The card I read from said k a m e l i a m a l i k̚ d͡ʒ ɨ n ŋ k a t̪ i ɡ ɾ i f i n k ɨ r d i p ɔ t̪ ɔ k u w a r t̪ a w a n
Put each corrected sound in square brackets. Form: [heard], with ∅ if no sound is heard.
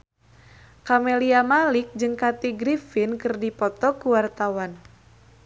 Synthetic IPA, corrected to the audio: k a m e l i a m a l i k̚ d͡ʒ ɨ [∅] ŋ k a t̪ i ɡ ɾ i f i n k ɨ r d i p ɔ t̪ ɔ k u w a r t̪ a w a n